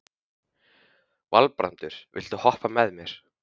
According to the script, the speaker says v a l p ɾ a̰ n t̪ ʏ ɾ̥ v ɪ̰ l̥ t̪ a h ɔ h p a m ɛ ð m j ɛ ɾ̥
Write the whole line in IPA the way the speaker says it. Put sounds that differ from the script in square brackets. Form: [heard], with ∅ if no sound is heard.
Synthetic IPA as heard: v a l p ɾ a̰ n t̪ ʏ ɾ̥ v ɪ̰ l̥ t̪ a h ɔ h p a m ɛ ð m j ɛ ɾ̥